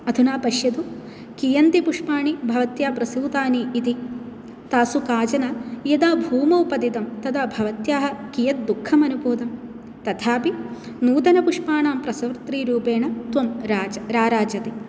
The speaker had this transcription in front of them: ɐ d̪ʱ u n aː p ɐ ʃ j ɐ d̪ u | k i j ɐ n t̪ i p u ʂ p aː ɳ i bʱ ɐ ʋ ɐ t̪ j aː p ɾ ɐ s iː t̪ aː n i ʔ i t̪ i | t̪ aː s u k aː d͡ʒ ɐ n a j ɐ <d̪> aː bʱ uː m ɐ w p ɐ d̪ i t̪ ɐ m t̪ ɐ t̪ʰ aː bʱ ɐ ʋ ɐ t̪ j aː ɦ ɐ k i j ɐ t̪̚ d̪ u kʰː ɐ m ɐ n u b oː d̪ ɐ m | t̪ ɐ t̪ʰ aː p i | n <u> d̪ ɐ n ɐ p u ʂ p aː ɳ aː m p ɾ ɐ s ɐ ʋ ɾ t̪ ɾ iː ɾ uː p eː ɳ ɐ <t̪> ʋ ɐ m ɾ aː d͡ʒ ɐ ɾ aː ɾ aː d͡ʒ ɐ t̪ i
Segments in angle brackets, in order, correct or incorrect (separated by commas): correct, incorrect, correct